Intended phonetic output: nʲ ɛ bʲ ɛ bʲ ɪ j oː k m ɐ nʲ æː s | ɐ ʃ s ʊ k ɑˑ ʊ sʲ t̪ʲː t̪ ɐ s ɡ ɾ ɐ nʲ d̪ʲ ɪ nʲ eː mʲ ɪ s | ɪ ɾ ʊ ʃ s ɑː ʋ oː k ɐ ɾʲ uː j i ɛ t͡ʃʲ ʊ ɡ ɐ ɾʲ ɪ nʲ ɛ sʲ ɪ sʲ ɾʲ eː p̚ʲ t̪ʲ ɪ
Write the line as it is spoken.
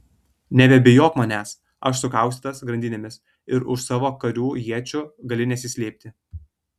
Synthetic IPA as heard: nʲ ɛ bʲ ɛ bʲ ɪ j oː k m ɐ nʲ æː s | ɐ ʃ s ʊ k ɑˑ ʊ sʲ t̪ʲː t̪ ɐ s ɡ ɾ ɐ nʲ d̪ʲ ɪ nʲ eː mʲ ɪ s | ɪ ɾ ʊ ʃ s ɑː ʋ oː k ɐ ɾʲ uː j i ɛ t͡ʃʲ ʊ ɡ ɐ lʲ ɪ nʲ ɛ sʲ ɪ sʲ lʲ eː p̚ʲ t̪ʲ ɪ